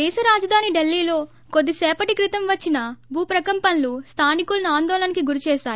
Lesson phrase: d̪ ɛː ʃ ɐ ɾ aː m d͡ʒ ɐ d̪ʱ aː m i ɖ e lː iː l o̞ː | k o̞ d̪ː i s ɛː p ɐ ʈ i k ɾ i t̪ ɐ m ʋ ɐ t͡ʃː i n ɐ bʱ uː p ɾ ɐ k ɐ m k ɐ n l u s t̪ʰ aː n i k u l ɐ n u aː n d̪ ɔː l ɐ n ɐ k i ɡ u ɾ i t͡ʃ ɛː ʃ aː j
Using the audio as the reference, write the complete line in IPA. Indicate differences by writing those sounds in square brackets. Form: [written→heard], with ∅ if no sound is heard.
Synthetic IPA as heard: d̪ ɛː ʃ ɐ ɾ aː [m→∅] d͡ʒ ɐ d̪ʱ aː [m→n] i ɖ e lː iː l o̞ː | k o̞ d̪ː i s ɛː p ɐ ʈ i k ɾ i t̪ ɐ m ʋ ɐ t͡ʃː i n ɐ bʱ uː p ɾ ɐ k ɐ m [k→p] ɐ n l u s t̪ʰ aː n i k u l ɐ n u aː n d̪ ɔː l ɐ n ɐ k i ɡ u ɾ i t͡ʃ ɛː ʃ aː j